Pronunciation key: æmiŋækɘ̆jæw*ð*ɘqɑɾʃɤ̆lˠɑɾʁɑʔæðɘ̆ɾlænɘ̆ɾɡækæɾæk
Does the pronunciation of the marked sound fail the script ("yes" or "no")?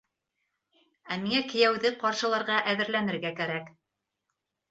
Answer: no